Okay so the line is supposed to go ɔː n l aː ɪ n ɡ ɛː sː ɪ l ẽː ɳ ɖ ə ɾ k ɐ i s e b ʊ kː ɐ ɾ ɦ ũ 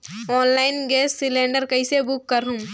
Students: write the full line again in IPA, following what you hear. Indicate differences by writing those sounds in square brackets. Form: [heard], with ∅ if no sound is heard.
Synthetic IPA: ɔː n l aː ɪ n ɡ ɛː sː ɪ l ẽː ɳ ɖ ə ɾ k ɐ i s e b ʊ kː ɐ ɾ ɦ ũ